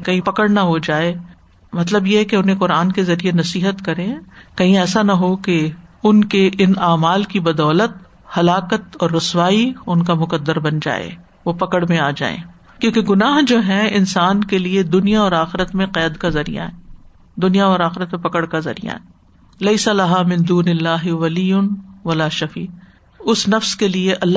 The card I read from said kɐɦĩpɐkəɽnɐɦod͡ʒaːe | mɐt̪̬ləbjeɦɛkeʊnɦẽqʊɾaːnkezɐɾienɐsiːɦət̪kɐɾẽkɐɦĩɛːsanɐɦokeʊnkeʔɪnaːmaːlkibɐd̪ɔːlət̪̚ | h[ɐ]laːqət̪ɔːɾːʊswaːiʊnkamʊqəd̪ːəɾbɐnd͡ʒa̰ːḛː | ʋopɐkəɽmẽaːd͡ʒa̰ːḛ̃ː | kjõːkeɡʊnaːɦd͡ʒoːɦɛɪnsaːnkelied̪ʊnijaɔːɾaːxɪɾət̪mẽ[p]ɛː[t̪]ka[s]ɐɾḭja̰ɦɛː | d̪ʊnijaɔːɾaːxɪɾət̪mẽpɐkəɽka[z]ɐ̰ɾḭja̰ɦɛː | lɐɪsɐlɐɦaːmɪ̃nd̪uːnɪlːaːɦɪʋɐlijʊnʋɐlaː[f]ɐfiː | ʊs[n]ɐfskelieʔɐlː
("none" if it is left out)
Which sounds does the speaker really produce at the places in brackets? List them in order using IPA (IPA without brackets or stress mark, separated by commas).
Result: ɐ, q, d̪, z, z, ʃ, n